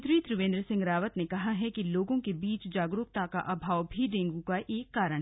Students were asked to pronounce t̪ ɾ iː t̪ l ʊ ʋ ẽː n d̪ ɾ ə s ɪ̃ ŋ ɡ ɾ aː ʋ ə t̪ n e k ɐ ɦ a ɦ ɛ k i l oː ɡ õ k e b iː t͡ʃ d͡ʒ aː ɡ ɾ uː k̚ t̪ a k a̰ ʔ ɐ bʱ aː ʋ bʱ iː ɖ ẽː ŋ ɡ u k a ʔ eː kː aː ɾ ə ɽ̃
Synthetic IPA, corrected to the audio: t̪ ɾ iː t̪ ɾ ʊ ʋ ẽː n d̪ ɾ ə s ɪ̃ ŋ ɡ ɾ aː ʋ ə t̪ n e k ɐ ɦ a ɦ ɛ k i l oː ɡ õ k e b iː t͡ʃ d͡ʒ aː ɡ ɾ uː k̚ t̪ a k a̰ ʔ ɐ bʱ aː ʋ bʱ i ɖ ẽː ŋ ɡ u k a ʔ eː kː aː ɾ ə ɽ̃